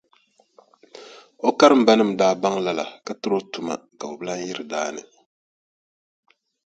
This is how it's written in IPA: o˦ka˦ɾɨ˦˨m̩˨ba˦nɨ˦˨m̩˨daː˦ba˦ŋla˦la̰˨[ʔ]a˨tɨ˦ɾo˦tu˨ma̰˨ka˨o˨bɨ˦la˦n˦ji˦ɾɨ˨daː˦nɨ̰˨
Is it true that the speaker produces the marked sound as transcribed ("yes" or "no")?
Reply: no